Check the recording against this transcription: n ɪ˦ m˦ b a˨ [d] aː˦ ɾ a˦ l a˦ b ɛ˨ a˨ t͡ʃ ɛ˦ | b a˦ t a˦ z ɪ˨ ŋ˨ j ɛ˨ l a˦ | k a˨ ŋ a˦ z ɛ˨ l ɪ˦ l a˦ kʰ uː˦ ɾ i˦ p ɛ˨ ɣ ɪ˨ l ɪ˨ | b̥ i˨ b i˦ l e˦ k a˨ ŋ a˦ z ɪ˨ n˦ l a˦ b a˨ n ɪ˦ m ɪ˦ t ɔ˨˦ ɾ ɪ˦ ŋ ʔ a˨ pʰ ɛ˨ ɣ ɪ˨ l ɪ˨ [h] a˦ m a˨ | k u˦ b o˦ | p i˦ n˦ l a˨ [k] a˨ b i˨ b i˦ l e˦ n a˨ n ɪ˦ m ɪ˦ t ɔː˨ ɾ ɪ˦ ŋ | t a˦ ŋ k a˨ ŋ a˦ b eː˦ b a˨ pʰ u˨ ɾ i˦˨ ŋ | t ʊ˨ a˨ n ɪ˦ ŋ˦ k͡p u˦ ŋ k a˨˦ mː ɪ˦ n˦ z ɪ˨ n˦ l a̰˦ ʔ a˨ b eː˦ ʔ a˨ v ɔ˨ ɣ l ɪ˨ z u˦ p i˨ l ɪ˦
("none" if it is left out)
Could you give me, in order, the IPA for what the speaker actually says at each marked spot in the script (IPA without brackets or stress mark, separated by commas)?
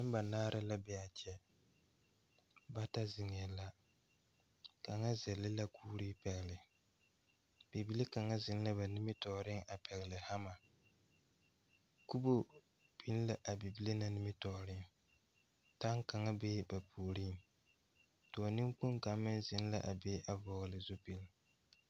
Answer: n, h, ʔ